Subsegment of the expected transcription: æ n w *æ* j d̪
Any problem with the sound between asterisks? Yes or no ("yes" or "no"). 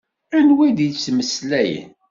no